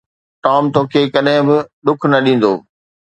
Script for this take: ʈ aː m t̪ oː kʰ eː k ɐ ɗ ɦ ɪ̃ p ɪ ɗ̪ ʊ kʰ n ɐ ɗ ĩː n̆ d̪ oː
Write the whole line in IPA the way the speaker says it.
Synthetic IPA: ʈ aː m t̪ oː kʰ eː k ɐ ɗ ɦ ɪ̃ b ɪ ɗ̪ ʊ kʰ n ɐ ɗ ĩː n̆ d̪ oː